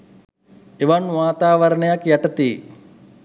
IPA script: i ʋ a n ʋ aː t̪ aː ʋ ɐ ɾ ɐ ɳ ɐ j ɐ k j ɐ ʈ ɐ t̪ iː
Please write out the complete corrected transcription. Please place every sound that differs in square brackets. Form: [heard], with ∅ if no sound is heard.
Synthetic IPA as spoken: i ʋ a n ʋ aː t̪ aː ʋ ɐ ɾ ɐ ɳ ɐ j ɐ k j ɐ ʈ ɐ t̪ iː